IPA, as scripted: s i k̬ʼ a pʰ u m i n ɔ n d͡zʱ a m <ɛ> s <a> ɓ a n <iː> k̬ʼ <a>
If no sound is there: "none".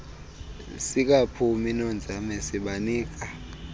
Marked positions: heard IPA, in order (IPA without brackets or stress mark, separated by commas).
ɛ, i, iː, a